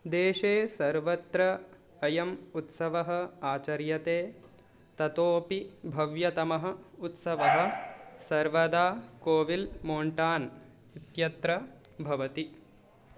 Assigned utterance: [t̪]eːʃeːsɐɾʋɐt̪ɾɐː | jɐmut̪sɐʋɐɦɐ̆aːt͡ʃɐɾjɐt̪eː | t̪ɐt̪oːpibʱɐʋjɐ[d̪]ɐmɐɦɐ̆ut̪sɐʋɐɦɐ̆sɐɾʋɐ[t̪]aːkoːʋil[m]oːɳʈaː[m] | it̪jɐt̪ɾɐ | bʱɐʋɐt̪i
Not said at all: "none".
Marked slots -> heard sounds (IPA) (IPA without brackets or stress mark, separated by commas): d̪, t̪, d̪, m, n